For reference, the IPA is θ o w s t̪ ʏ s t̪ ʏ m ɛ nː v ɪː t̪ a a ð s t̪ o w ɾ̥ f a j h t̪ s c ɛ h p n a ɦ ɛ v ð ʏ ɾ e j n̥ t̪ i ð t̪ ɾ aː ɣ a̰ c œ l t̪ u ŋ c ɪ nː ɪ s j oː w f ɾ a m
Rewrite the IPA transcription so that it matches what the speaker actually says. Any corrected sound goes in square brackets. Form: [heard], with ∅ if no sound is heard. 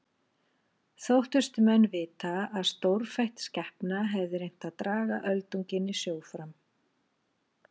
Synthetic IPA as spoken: θ o w [h] t̪ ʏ s t̪ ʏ m ɛ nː v ɪː t̪ a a ð s t̪ o w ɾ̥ f a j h t̪ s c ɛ h p n a ɦ ɛ v ð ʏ ɾ e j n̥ t̪ [a] ð t̪ ɾ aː ɣ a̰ [ʔ] œ l t̪ u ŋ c ɪ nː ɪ s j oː w f ɾ a m